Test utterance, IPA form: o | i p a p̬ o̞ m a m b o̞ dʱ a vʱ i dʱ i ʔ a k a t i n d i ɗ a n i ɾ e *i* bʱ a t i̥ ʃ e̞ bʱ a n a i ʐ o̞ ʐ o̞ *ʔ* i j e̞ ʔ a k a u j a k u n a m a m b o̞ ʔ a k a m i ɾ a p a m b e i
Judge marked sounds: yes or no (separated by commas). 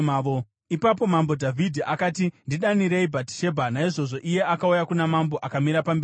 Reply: yes, yes